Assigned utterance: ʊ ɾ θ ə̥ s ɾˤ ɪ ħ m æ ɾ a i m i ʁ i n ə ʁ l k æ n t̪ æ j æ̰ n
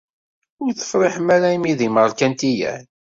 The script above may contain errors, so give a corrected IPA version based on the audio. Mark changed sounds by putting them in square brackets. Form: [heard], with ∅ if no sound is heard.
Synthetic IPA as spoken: ʊ ɾ θ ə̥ [f] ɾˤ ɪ ħ m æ ɾ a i m i [ð] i [m] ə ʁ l k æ n t̪ [i] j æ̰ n